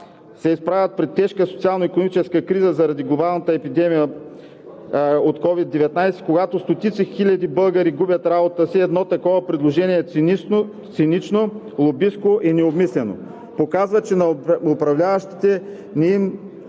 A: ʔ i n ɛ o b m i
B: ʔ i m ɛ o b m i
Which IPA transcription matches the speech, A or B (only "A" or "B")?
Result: A